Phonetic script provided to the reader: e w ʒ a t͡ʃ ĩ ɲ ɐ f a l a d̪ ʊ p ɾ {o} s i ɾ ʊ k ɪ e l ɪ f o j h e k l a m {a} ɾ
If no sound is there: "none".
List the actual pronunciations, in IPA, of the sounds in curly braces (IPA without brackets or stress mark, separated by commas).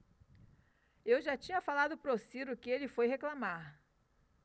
o, a